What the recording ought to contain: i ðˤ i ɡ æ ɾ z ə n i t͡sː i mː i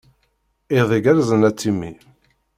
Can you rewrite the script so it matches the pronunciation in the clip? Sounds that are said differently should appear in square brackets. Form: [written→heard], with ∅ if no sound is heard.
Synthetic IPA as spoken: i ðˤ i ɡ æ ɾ z ə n [i→æ] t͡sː i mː i